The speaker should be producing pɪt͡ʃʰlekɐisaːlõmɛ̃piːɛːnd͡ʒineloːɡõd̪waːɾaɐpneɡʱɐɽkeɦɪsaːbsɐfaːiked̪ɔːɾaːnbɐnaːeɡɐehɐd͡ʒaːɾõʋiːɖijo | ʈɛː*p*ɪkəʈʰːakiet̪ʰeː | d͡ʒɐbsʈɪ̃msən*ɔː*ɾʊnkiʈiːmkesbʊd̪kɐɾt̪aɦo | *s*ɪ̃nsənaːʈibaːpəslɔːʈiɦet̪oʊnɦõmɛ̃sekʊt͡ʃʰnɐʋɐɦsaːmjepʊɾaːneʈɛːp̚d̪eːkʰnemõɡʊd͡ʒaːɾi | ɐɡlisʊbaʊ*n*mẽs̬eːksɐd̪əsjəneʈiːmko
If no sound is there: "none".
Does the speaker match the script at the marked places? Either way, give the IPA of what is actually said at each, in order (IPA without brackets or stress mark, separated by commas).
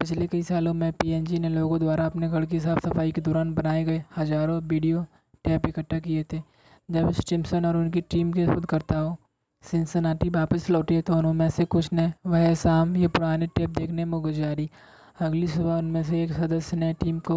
p, ɔː, s, n